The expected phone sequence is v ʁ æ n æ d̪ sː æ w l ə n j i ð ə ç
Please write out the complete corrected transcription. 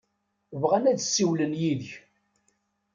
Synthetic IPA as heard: v ʁ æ n æ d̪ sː i w l ə n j i ð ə ç